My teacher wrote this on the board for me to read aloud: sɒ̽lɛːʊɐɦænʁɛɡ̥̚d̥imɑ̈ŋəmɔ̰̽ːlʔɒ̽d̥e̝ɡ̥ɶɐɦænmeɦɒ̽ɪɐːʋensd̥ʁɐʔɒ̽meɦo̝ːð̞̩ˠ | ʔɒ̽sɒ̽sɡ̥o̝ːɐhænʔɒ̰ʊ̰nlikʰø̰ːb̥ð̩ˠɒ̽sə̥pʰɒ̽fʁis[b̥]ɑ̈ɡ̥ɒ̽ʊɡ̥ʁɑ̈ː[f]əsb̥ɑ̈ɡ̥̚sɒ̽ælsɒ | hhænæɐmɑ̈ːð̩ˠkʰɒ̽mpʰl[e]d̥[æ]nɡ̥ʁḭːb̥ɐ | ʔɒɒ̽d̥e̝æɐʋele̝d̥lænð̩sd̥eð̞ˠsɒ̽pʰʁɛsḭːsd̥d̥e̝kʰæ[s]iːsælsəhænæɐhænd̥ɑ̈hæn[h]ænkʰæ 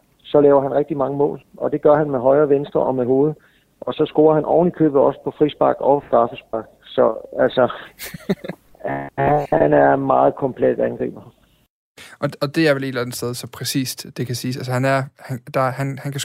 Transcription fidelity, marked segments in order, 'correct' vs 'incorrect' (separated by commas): correct, correct, correct, correct, correct, correct